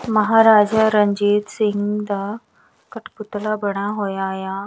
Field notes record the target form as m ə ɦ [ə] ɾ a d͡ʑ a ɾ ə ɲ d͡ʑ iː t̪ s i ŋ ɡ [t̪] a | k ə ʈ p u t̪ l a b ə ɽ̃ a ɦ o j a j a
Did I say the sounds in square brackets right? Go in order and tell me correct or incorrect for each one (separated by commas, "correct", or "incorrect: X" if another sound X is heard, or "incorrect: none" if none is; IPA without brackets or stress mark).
incorrect: a, incorrect: d̪